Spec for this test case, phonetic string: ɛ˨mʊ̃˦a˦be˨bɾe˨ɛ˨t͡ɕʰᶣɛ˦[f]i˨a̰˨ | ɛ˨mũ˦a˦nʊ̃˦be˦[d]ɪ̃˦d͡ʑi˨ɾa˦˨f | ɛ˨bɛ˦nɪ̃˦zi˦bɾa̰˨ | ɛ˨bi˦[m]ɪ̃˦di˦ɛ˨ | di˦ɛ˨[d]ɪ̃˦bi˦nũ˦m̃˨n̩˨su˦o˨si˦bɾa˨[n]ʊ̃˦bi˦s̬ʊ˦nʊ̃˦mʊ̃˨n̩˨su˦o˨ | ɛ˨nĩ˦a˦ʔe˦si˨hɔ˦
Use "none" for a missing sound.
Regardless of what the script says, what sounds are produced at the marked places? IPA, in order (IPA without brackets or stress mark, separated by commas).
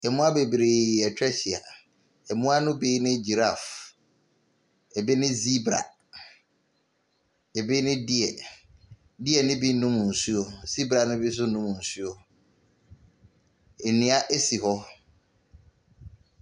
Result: ɕ, n, n, n, n